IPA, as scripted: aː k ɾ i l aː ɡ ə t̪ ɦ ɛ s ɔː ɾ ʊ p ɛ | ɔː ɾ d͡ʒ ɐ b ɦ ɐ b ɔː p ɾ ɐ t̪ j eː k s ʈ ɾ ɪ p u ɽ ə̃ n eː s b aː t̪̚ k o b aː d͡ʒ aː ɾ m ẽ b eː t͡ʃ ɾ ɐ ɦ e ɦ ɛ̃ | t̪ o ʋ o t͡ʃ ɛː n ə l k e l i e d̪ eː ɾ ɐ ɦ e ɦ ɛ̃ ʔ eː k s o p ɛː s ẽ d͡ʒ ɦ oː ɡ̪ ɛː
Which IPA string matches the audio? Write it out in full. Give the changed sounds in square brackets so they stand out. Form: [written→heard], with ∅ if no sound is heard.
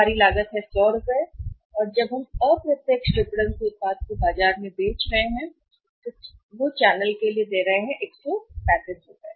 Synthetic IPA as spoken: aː [k→∅] ɾ i l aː ɡ ə t̪ ɦ ɛ s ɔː ɾ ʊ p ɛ | ɔː ɾ d͡ʒ ɐ b ɦ ɐ [b→m] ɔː p ɾ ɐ t̪ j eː k s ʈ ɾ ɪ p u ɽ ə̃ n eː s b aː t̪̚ k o b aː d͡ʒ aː ɾ m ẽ b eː t͡ʃ ɾ ɐ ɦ e ɦ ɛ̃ | t̪ o ʋ o t͡ʃ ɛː n ə l k e l i e d̪ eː ɾ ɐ ɦ e ɦ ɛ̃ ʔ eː k s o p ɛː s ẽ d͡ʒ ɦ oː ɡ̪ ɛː